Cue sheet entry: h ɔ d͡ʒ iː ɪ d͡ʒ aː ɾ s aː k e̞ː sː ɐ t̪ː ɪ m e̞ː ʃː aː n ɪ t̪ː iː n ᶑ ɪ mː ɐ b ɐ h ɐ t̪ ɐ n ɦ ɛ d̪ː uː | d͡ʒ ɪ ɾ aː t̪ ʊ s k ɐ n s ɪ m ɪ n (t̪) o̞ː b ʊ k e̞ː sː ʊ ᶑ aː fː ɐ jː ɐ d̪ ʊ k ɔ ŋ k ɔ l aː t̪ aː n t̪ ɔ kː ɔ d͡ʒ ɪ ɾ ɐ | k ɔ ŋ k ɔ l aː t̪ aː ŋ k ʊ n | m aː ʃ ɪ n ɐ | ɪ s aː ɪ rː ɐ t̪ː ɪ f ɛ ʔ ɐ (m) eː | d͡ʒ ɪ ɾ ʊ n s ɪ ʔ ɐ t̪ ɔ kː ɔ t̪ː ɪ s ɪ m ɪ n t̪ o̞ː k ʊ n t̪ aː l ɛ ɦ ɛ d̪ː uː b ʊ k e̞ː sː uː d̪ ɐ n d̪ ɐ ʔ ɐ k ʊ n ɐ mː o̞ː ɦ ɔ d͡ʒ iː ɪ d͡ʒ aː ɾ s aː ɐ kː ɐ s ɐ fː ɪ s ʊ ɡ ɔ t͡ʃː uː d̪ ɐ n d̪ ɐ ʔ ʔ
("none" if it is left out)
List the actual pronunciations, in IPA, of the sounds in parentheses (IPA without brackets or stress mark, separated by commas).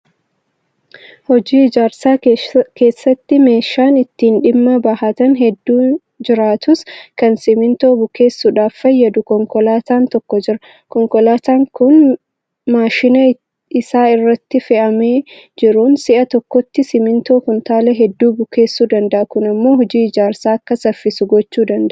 t̪, m